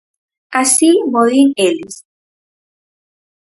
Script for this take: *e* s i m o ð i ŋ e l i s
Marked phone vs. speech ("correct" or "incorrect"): incorrect